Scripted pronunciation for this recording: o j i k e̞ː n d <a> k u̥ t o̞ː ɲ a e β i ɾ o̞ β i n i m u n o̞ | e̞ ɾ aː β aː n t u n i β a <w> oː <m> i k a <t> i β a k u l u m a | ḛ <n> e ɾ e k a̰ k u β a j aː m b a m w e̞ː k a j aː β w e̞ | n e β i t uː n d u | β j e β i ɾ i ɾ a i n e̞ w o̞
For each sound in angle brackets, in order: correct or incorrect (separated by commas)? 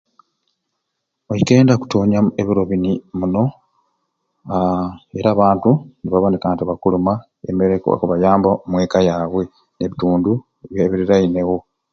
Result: correct, incorrect, incorrect, correct, incorrect